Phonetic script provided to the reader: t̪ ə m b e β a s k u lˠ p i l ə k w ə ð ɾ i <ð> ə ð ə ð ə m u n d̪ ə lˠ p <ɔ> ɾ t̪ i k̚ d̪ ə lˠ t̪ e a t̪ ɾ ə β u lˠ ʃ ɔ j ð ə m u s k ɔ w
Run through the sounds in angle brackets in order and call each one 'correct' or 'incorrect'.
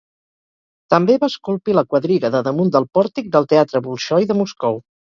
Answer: incorrect: ɣ, correct

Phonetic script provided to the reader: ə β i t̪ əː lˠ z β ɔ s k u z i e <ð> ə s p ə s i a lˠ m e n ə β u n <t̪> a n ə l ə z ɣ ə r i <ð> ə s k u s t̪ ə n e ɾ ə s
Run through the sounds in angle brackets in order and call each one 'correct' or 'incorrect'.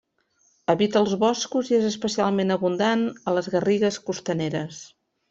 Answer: incorrect: z, incorrect: d̪, incorrect: ɣ

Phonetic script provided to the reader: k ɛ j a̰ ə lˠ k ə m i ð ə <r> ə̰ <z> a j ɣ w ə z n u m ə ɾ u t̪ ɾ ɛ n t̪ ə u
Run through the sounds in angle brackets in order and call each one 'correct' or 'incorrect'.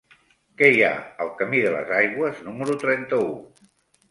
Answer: incorrect: l, correct

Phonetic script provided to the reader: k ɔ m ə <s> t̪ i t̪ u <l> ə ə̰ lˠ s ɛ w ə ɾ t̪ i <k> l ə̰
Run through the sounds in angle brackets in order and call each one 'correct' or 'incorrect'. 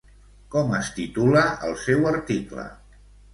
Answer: correct, correct, correct

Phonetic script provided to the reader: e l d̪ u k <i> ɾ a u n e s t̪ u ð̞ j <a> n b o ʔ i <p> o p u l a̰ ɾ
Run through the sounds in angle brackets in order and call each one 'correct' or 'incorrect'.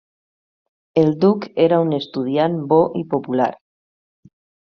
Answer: incorrect: e, correct, correct

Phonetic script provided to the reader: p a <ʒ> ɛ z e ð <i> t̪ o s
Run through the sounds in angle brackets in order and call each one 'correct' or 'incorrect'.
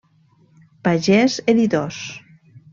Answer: correct, correct

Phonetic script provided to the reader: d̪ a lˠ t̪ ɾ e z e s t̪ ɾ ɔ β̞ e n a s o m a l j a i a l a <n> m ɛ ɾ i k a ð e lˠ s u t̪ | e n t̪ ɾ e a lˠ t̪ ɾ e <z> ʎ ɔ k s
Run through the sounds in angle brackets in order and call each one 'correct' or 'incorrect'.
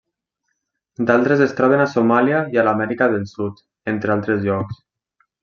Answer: incorrect: none, correct

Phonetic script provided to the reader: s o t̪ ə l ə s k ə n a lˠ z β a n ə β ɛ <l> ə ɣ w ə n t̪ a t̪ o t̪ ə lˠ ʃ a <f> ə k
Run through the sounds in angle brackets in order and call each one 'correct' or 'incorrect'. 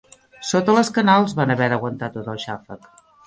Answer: incorrect: ɾ, correct

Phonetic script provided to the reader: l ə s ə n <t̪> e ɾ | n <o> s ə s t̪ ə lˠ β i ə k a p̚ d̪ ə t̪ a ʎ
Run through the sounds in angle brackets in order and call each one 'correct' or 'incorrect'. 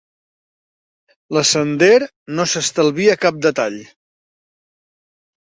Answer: incorrect: d̪, correct

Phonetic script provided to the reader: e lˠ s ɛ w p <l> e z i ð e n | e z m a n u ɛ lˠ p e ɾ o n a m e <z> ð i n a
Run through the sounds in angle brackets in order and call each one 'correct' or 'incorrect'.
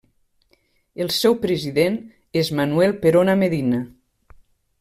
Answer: incorrect: ɾ, incorrect: none

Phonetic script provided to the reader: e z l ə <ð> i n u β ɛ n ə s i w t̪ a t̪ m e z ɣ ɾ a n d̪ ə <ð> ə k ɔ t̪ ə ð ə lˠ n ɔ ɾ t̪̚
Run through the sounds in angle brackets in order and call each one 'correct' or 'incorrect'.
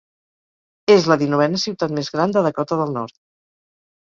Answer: correct, correct

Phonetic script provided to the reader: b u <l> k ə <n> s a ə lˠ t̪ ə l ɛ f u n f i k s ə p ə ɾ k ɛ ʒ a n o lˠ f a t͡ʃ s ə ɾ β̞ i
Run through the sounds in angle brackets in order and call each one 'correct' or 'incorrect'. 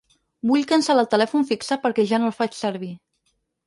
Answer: incorrect: ʎ, correct

